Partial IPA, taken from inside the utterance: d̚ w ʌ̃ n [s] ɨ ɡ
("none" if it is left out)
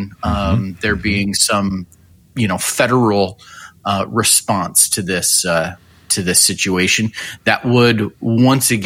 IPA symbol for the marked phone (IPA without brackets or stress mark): s